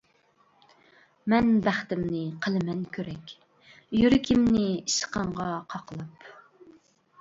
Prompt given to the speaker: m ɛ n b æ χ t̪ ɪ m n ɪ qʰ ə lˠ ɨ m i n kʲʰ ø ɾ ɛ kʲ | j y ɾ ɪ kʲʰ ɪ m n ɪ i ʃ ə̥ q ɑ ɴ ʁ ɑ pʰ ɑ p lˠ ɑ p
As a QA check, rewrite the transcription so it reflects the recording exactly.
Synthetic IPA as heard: m ɛ n b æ χ t̪ ɪ m n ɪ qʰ ə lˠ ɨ m ɛ n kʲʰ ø ɾ ɛ kʲ | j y ɾ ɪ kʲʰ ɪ m n ɪ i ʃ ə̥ q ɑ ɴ ʁ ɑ qʰ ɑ q lˠ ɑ p

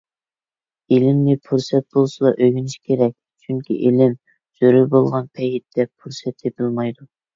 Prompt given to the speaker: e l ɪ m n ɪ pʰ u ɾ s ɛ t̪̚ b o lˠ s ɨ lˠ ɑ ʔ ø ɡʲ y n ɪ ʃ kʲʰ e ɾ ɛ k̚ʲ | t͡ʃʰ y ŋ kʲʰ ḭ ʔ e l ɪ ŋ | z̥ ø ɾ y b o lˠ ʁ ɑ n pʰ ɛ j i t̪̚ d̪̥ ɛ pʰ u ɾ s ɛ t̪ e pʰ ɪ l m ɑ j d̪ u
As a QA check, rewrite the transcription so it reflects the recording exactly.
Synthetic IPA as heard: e l ɪ m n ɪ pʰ u ɾ s ɛ t̪̚ b o lˠ s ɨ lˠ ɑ ʔ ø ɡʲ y n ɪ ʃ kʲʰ e ɾ ɛ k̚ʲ | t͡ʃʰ y ŋ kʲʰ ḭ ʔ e l ɪ m | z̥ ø ɾ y b o lˠ ʁ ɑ n pʰ ɛ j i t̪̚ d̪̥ ɛ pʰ u ɾ s ɛ t̪ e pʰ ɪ l m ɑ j d̪ u

